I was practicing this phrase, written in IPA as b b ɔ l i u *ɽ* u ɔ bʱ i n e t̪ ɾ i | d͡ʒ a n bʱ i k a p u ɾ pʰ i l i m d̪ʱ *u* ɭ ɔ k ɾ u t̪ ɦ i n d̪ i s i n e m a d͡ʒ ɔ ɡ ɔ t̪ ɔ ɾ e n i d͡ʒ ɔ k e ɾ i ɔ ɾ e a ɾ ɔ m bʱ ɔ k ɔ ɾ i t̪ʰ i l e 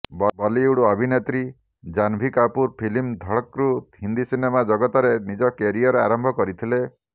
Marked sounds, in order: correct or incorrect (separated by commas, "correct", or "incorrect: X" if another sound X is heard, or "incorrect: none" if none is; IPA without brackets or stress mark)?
correct, incorrect: ɔ